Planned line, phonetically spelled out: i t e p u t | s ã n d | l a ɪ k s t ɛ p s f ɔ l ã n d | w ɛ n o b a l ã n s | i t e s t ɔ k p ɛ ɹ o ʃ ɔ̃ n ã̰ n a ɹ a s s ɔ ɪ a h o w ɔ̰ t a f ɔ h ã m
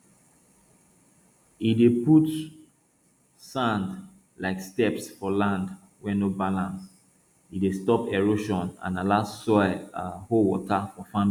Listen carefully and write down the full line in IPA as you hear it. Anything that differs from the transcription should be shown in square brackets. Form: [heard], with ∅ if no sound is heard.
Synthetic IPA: i [d] e p u t | s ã n d | l a ɪ k s t ɛ p s f ɔ l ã n d | w ɛ n o b a l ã n s | i [d] e s t ɔ [∅] p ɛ ɹ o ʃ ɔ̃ n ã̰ n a [l] a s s ɔ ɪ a h o w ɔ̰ t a f ɔ [f] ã m